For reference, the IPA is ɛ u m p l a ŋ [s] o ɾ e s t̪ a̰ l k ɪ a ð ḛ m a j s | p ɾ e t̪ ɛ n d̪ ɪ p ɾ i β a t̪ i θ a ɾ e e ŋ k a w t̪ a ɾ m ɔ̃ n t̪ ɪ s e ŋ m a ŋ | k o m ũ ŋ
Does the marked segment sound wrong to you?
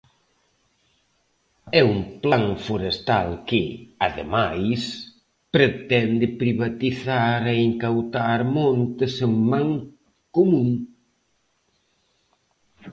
yes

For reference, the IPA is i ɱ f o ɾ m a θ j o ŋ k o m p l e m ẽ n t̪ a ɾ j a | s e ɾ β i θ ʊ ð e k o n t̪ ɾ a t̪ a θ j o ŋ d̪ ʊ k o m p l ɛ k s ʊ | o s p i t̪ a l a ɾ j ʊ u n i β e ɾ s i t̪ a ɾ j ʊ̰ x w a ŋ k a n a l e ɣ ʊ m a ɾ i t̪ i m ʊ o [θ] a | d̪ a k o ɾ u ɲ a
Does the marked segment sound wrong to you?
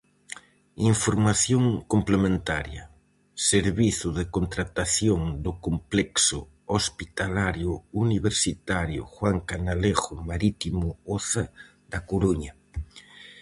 no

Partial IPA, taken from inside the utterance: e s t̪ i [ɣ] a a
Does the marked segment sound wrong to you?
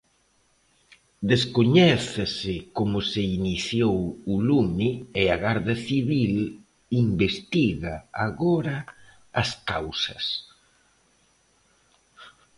no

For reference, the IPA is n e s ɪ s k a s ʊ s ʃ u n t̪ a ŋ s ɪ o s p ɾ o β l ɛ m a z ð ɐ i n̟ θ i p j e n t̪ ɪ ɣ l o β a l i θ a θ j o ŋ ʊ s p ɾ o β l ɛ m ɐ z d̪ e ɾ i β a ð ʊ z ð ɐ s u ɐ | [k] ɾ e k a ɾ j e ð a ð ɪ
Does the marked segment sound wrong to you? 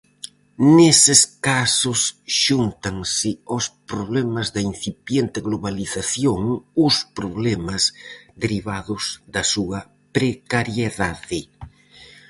yes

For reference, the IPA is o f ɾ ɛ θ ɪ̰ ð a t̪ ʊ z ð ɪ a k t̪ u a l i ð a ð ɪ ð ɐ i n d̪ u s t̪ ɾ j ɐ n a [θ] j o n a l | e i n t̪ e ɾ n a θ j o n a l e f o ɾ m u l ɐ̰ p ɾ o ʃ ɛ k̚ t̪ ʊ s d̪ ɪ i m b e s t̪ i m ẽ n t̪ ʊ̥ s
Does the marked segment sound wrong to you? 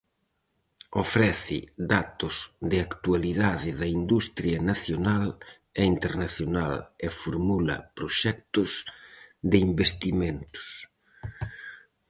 no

